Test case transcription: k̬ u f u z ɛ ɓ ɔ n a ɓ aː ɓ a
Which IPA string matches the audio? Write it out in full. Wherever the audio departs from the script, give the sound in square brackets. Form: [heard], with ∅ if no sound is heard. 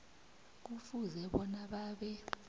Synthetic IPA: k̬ u f u z ɛ ɓ ɔ n a ɓ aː ɓ [ɛ]